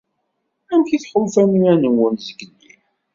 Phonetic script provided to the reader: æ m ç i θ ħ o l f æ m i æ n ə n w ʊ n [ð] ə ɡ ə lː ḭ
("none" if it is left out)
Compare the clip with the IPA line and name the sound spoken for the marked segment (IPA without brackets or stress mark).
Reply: z